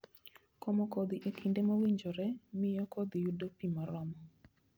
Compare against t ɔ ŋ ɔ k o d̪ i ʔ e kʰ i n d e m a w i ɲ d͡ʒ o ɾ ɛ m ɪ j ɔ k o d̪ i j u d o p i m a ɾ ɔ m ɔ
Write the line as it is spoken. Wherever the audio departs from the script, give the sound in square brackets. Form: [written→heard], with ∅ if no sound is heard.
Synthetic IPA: [t→k] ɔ [ŋ→m] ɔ k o d̪ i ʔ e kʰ i n d e m a w i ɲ d͡ʒ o ɾ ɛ m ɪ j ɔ k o d̪ i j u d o p i m a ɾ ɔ m ɔ